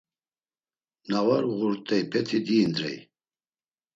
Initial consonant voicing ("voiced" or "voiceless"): voiced